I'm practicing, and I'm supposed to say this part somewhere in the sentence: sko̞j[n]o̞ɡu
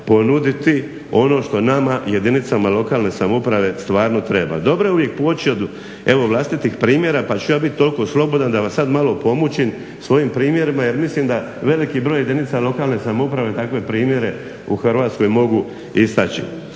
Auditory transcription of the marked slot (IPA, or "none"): m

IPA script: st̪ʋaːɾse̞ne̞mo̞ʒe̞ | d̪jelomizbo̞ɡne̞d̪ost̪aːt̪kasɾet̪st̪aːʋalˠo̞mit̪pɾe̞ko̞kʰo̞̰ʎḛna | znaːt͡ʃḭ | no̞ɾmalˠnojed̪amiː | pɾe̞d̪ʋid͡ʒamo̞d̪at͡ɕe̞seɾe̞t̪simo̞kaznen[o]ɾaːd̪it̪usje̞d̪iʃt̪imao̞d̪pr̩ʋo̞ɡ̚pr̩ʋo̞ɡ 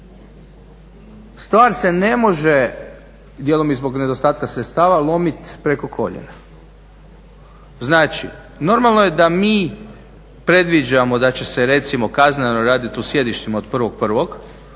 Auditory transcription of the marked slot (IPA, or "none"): o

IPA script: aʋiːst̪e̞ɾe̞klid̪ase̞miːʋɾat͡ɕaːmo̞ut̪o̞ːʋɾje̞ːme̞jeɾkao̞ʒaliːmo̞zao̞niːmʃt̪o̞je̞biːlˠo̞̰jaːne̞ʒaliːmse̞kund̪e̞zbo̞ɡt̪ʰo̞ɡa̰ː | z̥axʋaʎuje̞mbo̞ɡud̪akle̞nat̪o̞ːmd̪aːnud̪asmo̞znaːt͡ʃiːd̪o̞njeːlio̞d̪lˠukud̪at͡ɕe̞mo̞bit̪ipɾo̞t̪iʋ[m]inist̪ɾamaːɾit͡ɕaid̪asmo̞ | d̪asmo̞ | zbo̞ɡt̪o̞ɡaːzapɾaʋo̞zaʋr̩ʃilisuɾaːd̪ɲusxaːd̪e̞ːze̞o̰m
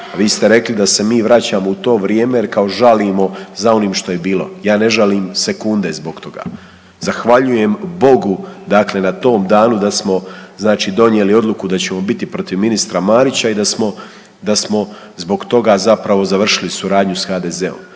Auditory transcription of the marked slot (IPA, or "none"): m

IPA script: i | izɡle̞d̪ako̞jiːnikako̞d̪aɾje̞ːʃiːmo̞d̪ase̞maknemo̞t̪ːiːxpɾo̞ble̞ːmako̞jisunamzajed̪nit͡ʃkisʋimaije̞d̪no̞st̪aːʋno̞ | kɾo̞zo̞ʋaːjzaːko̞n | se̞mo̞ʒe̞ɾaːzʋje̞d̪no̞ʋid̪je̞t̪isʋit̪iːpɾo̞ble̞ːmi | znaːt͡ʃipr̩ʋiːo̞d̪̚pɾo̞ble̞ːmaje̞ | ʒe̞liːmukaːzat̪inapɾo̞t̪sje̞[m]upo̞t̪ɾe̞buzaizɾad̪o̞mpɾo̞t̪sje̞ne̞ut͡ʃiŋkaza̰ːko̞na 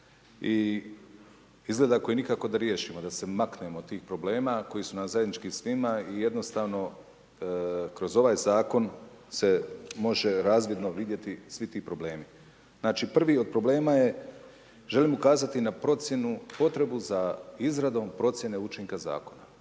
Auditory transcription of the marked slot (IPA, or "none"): n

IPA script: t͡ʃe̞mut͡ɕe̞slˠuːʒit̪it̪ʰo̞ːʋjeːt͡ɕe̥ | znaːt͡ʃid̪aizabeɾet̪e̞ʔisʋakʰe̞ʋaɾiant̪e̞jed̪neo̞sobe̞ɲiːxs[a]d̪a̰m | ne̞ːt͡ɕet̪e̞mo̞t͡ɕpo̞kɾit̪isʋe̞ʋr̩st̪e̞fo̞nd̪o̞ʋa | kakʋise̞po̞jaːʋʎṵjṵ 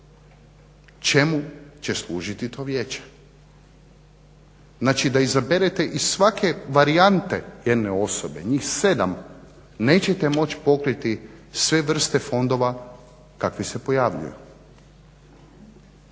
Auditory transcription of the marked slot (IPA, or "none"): e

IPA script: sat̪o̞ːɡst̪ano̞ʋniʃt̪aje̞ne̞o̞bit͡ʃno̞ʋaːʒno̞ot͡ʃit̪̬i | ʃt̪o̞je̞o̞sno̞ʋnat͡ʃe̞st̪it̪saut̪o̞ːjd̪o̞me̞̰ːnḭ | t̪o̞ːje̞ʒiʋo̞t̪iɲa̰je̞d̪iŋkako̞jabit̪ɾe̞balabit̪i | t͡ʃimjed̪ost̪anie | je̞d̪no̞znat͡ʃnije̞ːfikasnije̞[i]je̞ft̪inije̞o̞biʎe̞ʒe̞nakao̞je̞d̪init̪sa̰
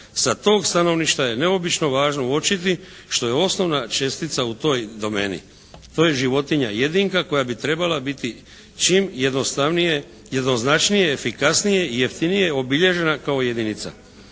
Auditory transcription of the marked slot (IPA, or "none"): i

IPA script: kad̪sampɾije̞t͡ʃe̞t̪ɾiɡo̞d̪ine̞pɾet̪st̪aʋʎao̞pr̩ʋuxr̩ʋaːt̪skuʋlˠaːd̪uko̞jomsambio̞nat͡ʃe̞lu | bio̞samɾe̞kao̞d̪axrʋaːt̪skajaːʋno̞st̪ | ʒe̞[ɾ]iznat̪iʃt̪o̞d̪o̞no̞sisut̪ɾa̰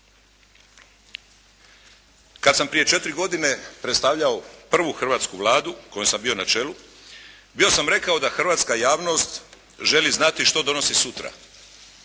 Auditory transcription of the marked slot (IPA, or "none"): l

